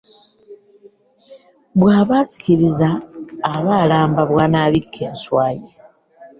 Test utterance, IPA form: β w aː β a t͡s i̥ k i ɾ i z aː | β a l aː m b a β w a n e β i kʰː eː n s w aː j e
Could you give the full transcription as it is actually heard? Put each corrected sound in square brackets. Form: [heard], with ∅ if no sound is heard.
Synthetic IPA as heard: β w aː β a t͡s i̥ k i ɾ i z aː | β a l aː m b a β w a n [a] β i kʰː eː n s w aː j e